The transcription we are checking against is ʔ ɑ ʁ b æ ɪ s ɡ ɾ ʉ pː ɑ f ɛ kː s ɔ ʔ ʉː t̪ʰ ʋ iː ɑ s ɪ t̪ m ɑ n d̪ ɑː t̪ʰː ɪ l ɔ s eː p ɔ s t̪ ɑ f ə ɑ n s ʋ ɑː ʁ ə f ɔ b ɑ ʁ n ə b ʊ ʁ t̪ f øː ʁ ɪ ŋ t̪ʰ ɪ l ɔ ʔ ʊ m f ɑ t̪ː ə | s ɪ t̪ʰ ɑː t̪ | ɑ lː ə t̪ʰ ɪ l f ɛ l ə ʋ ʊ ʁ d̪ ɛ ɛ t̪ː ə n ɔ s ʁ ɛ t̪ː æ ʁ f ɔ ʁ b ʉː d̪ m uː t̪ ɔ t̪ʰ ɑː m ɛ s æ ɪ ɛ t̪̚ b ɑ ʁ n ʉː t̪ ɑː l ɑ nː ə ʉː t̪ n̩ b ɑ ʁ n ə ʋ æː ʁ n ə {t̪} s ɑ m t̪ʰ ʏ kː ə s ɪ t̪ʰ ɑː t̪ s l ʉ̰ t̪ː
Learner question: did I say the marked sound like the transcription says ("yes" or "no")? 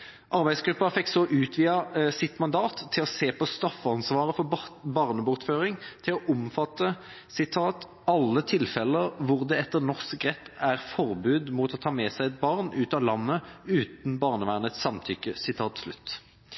yes